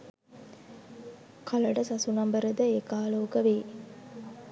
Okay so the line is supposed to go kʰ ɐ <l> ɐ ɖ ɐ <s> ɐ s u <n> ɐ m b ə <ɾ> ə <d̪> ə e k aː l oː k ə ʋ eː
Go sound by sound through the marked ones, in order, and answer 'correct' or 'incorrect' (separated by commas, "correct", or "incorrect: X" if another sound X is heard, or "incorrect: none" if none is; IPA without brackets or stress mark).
correct, correct, correct, correct, correct